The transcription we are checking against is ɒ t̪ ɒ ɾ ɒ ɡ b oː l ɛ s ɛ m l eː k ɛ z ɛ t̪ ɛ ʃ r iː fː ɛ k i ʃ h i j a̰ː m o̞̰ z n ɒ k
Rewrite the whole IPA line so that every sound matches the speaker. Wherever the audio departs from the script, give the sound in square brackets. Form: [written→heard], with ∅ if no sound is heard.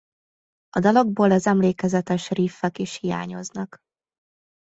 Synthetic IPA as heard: ɒ [t̪→d̪] ɒ [ɾ→l] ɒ ɡ b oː l ɛ [s→z] ɛ m l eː k ɛ z ɛ t̪ ɛ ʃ r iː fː ɛ k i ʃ h i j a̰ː [m→ɲ] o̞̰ z n ɒ k